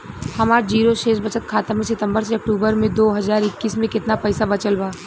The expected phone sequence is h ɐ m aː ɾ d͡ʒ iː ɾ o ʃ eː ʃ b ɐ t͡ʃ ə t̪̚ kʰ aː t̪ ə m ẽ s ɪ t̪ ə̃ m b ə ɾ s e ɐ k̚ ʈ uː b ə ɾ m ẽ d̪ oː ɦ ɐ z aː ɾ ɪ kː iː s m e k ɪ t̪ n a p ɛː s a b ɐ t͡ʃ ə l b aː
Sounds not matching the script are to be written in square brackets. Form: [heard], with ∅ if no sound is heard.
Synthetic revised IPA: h ɐ m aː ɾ d͡ʒ iː ɾ o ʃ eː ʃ b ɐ t͡ʃ ə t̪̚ kʰ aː t̪ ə m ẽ s ɪ t̪ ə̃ m b ə ɾ s e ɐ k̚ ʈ uː b ə ɾ m ẽ d̪ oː ɦ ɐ z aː ɾ ɪ kː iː s m [ẽ] k ɪ t̪ n a p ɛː s a b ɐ t͡ʃ ə l b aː